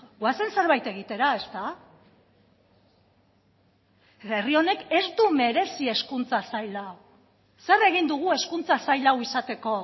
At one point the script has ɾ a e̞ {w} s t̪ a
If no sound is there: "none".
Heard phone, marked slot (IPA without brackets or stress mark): none